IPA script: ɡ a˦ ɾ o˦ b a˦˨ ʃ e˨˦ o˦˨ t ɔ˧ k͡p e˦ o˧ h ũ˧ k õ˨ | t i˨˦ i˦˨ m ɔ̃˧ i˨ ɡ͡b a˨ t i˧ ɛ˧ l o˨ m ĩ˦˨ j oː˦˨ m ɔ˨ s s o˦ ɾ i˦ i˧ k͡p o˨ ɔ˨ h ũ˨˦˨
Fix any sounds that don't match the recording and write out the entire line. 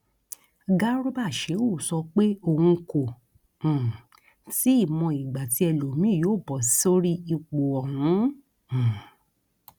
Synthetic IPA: ɡ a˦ ɾ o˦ b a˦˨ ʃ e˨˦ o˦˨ s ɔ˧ k͡p e˦ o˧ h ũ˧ k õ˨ | t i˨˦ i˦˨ m ɔ̃˧ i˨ ɡ͡b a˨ t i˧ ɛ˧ l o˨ m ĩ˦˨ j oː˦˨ b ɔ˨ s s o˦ ɾ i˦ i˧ k͡p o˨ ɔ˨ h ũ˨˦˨